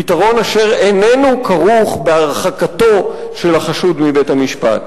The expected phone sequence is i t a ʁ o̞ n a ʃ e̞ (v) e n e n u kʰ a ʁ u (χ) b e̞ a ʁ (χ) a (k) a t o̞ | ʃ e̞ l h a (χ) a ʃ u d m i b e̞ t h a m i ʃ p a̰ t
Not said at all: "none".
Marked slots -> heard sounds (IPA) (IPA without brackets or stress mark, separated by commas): ʁ, χ, χ, k, χ